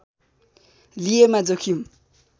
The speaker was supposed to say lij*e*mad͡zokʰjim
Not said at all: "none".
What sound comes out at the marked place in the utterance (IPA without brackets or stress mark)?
e